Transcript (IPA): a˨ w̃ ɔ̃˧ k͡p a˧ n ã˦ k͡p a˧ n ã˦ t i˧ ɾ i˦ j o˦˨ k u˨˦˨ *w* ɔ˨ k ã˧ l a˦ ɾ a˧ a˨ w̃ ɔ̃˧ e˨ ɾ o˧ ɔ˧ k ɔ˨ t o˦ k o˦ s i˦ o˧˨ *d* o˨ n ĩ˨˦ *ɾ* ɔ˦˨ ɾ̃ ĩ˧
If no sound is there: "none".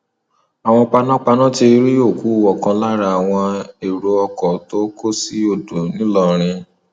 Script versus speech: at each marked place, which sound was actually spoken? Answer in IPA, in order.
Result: w, d, l

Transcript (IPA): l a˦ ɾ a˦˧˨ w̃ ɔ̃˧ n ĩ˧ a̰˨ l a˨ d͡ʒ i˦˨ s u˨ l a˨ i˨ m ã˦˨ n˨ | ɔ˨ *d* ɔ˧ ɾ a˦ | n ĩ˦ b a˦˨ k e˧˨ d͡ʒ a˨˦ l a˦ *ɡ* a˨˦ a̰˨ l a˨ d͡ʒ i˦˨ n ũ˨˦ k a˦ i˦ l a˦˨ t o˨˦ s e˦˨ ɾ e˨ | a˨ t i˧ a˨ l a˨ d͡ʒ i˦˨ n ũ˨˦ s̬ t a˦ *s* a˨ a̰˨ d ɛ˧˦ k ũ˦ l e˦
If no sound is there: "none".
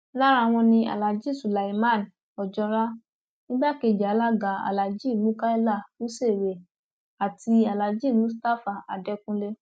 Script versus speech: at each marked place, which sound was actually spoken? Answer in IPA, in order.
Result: d͡ʒ, ɡ, f

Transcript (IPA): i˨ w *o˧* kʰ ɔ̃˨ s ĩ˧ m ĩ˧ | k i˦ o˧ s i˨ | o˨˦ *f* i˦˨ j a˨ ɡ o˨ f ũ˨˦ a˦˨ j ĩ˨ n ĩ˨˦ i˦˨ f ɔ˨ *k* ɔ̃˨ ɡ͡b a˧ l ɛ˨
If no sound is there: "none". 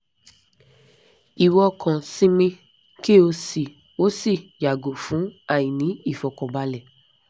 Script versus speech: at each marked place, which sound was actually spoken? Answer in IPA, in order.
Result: ɔ˧, s, k

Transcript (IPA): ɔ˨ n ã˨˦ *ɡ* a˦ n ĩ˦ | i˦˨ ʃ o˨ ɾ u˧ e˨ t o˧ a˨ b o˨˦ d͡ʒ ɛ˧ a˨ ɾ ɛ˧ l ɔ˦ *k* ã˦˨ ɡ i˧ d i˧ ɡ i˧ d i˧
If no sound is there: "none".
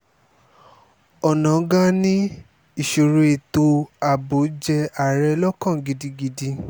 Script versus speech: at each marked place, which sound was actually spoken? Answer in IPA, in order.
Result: ɡ, k

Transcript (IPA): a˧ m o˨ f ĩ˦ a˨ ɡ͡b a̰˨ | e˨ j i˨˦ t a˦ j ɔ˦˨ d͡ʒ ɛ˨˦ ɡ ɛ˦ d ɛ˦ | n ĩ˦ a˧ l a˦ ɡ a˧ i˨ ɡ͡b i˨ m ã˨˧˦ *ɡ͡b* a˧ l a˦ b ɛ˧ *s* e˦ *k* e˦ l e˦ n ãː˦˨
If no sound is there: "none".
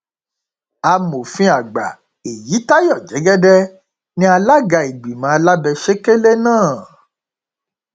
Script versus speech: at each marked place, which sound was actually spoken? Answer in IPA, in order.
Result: none, ʃ, k

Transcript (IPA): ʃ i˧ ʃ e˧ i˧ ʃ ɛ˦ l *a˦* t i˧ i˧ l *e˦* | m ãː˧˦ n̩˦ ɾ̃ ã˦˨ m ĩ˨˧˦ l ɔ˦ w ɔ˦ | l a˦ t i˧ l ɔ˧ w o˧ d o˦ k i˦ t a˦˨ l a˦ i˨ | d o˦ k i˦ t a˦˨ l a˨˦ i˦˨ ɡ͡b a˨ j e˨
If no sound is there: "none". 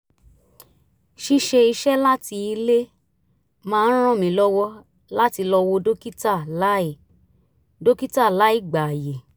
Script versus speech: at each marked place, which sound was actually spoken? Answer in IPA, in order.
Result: a˦, e˦

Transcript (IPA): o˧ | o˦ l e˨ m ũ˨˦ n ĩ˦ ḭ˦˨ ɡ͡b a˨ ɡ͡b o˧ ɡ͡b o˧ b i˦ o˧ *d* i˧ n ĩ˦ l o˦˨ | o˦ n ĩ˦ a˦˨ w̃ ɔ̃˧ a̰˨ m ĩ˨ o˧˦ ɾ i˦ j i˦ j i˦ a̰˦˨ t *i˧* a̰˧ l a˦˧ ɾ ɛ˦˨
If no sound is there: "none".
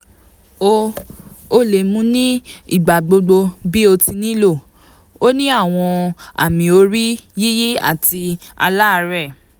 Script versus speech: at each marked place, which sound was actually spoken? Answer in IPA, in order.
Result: t, i˧

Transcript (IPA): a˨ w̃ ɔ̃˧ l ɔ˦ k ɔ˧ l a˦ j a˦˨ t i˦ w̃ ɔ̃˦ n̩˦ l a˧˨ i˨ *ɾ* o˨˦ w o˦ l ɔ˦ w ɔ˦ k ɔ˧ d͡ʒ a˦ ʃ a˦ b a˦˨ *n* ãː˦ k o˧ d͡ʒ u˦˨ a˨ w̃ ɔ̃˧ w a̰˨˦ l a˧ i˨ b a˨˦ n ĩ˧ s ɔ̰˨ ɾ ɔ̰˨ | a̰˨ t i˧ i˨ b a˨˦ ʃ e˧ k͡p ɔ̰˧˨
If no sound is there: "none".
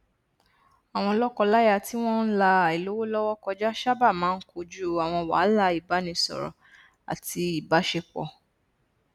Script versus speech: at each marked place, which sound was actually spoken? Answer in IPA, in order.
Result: l, m

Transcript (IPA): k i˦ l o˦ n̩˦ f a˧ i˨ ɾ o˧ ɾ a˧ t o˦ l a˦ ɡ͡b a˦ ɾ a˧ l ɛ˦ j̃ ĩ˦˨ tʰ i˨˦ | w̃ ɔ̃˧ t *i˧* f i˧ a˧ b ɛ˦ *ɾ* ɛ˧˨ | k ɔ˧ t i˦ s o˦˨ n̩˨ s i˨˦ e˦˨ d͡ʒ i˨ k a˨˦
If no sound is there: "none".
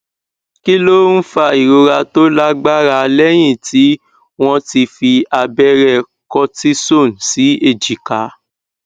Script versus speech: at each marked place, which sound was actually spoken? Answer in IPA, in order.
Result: i˧, ɾ

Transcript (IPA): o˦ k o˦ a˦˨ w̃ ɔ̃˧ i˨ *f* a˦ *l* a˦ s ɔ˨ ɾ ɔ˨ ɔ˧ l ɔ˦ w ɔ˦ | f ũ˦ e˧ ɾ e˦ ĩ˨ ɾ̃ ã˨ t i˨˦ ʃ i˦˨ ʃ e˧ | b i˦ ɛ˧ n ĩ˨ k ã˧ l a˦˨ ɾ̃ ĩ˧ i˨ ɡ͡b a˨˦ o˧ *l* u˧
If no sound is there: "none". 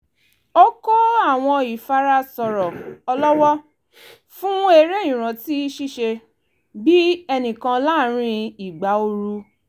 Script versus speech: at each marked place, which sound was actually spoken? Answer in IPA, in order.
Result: f, ɾ, ɾ

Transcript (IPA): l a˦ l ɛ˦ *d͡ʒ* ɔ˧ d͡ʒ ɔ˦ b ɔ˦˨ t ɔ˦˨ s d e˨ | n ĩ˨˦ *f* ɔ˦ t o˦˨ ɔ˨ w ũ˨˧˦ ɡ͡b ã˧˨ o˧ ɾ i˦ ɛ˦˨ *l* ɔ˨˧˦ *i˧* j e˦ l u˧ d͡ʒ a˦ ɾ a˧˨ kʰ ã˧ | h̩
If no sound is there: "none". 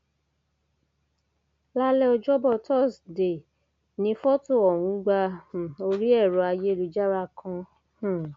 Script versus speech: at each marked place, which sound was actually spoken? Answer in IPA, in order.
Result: none, f, ɾ, a˧

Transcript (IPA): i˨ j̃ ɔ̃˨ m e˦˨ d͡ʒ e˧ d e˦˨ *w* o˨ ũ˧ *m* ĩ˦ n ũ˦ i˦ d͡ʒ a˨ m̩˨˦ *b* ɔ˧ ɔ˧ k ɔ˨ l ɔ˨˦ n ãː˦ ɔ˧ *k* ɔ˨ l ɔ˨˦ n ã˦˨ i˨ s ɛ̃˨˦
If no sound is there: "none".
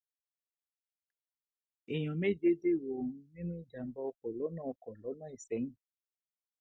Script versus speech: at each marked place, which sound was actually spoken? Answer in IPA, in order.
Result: w, n, b, k

